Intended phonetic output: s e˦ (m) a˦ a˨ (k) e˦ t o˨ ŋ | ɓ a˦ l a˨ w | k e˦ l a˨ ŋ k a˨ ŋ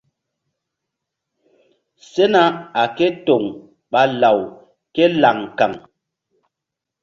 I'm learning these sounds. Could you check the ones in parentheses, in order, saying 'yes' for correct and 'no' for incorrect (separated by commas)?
no, yes